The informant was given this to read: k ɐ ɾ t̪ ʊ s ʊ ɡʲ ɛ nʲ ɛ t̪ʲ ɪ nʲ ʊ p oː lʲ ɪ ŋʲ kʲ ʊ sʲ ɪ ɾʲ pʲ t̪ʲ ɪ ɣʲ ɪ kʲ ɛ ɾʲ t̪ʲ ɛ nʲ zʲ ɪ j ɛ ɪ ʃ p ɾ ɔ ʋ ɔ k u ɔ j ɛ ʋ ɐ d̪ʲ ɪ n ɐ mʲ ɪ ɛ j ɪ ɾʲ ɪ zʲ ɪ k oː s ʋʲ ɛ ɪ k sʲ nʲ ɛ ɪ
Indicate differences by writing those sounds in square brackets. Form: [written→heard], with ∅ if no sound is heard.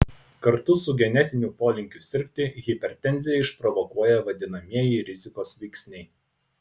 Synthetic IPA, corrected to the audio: k ɐ ɾ t̪ ʊ s ʊ ɡʲ ɛ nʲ ɛ t̪ʲ ɪ nʲ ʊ p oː lʲ ɪ ŋʲ kʲ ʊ sʲ ɪ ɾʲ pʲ t̪ʲ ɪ ɣʲ ɪ [kʲ→pʲ] ɛ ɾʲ t̪ʲ ɛ nʲ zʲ ɪ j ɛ ɪ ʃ p ɾ ɔ ʋ ɔ k u ɔ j ɛ ʋ ɐ d̪ʲ ɪ n ɐ mʲ [ɪ→i] ɛ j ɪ ɾʲ ɪ zʲ ɪ k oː s ʋʲ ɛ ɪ k sʲ nʲ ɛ ɪ